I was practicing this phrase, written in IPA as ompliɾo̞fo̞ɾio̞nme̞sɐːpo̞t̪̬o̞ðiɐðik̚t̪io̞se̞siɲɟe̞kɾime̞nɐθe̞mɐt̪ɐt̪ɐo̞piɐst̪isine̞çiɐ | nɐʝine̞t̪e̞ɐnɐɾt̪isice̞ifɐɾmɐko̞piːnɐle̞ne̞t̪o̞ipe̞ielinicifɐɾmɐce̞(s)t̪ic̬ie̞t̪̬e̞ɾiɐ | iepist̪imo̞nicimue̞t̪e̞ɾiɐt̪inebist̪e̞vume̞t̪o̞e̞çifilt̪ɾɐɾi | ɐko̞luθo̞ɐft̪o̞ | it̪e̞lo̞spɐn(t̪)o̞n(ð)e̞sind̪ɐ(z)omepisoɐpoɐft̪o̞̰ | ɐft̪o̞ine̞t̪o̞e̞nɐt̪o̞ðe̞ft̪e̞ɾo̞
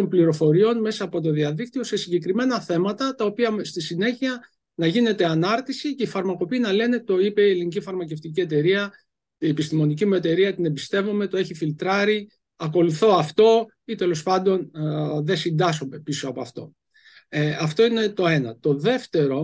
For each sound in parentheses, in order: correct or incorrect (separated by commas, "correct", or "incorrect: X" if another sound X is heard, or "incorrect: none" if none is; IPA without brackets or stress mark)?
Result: incorrect: f, incorrect: d̪, correct, incorrect: s